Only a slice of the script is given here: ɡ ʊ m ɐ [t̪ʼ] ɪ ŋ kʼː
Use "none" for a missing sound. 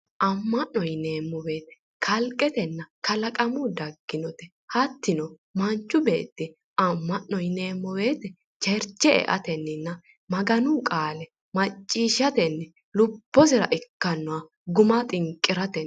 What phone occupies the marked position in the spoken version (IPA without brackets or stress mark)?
t̪ʼ